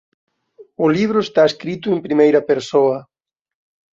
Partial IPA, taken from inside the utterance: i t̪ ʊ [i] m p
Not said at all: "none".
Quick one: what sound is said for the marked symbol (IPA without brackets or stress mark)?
e